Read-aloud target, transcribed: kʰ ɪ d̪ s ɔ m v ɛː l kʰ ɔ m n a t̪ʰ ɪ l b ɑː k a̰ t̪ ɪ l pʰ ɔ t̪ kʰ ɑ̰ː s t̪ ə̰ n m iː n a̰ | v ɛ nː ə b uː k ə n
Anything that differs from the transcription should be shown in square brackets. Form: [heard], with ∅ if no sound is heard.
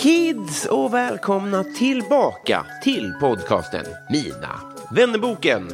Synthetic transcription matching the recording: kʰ ɪ d̪ s ɔ [∅] v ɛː l kʰ ɔ m n a t̪ʰ ɪ l b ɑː k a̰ [t̪ʰ] ɪ l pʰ ɔ [d̪] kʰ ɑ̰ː s t̪ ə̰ n m iː n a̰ | v ɛ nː ə b uː k ə n